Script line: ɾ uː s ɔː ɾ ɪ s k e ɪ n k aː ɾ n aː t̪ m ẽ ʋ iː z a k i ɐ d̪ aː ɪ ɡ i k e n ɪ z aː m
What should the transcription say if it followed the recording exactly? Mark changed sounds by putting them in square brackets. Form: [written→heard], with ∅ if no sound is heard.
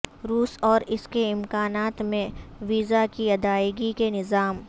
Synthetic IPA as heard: ɾ uː s ɔː ɾ ɪ s k e ɪ [n→m] k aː [ɾ→∅] n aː t̪ m ẽ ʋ iː z a k i ɐ d̪ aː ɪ ɡ i k e n ɪ z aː m